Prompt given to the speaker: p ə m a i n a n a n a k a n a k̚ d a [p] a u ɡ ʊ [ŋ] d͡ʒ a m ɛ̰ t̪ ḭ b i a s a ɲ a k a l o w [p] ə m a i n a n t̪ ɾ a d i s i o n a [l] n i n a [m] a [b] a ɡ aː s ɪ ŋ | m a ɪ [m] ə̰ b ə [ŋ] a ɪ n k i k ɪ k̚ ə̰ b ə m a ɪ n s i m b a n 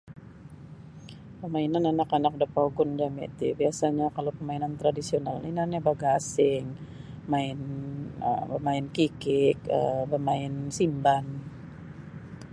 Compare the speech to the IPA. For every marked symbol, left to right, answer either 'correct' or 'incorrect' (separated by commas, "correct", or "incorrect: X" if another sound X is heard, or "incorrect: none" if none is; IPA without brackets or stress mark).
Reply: correct, incorrect: n, correct, correct, incorrect: n, correct, incorrect: n, incorrect: m